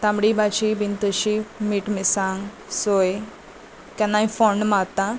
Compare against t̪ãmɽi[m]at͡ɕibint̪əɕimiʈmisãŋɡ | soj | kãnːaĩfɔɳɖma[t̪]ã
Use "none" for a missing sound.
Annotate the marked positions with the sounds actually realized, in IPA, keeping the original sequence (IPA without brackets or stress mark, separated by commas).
b, t̪